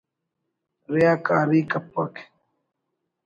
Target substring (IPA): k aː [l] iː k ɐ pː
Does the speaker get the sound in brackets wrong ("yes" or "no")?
yes